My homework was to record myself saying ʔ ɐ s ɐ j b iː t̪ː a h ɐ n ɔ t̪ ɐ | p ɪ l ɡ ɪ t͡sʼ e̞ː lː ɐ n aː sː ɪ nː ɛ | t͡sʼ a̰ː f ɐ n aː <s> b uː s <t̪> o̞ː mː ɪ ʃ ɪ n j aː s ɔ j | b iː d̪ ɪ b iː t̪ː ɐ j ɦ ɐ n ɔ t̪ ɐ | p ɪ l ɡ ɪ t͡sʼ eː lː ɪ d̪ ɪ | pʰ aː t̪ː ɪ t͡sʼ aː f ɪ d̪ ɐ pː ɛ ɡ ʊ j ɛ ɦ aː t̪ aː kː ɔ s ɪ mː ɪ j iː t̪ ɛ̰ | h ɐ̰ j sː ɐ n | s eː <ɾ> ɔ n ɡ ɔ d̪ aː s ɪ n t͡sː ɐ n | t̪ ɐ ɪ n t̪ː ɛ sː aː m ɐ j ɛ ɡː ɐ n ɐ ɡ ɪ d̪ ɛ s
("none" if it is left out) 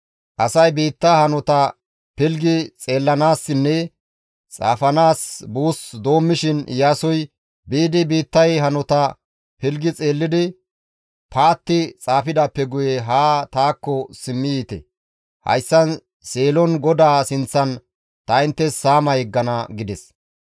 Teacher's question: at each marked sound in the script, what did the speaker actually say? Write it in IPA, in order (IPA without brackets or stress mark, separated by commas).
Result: s, d̪, l